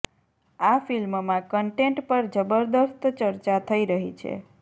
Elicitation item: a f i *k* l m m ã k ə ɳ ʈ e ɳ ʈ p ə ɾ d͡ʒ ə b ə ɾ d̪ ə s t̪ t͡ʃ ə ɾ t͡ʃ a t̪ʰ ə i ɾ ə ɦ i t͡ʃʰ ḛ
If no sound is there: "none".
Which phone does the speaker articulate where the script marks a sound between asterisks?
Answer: none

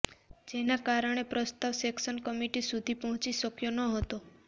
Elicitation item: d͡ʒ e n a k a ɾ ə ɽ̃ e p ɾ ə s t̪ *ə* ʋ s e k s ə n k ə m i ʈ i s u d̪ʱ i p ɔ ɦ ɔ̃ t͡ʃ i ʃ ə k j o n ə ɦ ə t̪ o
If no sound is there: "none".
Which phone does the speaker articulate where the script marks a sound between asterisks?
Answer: a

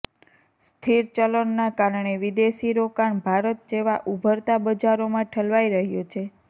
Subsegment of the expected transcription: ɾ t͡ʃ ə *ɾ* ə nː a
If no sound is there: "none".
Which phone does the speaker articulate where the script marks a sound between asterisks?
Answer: l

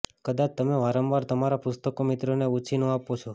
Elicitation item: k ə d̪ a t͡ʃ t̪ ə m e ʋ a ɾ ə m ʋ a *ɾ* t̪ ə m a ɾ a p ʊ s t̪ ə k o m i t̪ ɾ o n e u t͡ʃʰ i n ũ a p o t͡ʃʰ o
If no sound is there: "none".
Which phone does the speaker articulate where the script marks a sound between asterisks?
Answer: ɾ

